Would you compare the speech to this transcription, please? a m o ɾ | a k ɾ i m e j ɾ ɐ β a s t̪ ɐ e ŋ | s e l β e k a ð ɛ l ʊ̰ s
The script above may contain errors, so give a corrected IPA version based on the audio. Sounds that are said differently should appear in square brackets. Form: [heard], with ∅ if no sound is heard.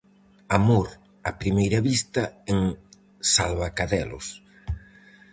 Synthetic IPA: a m o ɾ | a [p] ɾ i m e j ɾ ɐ β [i] s t̪ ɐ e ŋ | s [a] l β [a] k a ð ɛ l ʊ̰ s